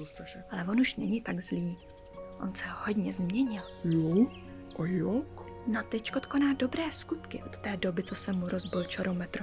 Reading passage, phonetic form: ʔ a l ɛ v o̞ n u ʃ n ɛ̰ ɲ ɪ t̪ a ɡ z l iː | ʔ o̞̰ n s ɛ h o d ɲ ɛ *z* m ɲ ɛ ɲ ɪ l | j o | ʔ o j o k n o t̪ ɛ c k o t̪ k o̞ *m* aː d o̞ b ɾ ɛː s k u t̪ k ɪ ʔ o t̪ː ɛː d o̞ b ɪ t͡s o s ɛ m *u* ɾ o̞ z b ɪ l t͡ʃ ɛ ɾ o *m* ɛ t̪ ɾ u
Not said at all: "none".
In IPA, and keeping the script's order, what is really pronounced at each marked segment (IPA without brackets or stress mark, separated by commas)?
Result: z, n, u, m